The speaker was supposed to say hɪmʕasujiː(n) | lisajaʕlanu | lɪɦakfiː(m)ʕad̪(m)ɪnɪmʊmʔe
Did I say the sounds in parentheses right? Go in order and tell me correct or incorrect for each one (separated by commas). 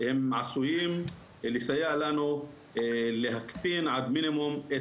incorrect, incorrect, correct